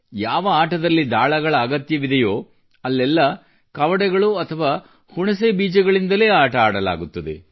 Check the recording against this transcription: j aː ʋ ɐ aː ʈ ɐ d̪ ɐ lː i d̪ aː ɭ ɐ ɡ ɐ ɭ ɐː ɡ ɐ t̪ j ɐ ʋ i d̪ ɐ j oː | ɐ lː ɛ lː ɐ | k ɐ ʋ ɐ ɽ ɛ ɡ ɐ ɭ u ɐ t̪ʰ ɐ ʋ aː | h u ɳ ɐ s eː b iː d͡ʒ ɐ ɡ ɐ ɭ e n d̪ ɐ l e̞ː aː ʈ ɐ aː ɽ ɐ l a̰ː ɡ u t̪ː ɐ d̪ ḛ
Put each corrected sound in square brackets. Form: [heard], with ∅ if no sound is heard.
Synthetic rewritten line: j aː ʋ ɐ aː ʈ ɐ d̪ ɐ lː i d̪ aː ɭ ɐ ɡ ɐ ɭ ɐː ɡ ɐ t̪ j ɐ ʋ i d̪ ɐ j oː | ɐ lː ɛ lː ɐ | k ɐ ʋ ɐ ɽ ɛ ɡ ɐ ɭ u ɐ t̪ʰ ɐ ʋ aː | h u ɳ ɐ s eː b iː d͡ʒ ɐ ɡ ɐ ɭ [i] n d̪ ɐ l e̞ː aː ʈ ɐ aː ɽ ɐ l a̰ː ɡ u t̪ː ɐ d̪ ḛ